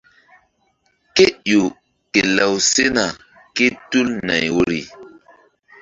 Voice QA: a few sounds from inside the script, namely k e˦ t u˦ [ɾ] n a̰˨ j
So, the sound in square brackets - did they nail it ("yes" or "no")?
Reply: no